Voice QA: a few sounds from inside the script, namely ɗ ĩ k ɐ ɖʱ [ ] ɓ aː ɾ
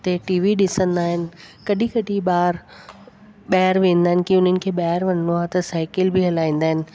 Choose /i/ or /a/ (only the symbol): i